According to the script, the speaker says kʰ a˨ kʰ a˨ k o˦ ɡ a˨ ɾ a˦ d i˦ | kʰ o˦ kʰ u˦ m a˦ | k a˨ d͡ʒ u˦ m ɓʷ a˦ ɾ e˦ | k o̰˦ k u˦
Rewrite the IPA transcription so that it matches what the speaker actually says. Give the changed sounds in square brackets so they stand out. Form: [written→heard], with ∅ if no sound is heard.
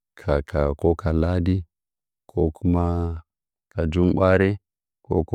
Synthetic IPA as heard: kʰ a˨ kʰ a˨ k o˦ [ɡ→k] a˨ [ɾ→l] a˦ d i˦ | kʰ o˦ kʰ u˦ m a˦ | k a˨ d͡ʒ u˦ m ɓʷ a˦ ɾ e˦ | k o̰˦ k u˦